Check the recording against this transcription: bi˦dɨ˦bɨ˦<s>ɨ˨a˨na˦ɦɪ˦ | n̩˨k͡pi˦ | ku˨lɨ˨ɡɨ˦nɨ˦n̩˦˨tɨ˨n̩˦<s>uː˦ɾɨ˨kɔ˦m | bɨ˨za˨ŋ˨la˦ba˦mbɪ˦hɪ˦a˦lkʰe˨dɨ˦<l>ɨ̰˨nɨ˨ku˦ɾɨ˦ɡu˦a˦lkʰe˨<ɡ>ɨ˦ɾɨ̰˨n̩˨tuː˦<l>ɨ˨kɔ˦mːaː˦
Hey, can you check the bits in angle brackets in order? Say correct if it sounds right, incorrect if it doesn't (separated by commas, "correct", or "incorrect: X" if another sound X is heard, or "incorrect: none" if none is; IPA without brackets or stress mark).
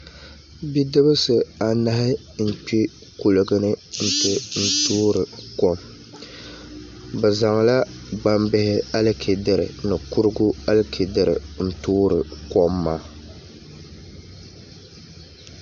correct, incorrect: t, incorrect: ɾ, incorrect: d, incorrect: ɾ